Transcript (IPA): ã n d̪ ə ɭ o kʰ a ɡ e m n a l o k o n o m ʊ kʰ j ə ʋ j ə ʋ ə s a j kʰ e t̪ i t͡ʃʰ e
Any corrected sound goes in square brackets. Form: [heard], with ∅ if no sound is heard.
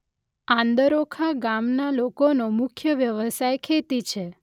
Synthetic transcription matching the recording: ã n d̪ ə [ɾ] o kʰ a ɡ [a] m n a l o k o n o m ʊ kʰ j ə ʋ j ə ʋ ə s a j kʰ e t̪ i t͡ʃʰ e